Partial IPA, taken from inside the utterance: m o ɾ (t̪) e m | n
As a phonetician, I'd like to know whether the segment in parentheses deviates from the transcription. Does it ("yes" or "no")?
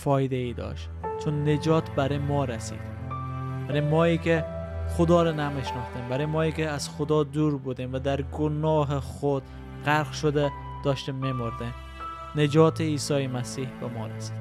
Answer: yes